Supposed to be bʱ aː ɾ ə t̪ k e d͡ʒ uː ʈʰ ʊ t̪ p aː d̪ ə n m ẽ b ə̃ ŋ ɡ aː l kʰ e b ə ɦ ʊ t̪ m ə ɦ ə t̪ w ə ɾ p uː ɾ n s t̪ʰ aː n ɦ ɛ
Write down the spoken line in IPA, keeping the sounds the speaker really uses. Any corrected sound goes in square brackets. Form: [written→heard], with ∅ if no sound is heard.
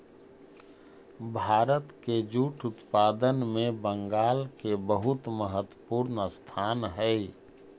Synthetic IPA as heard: bʱ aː ɾ ə t̪ k e d͡ʒ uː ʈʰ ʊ t̪ p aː d̪ ə n m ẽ b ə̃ ŋ ɡ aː l [kʰ→k] e b ə ɦ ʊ t̪ m ə ɦ ə t̪ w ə [ɾ→∅] p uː ɾ n s t̪ʰ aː n ɦ ɛ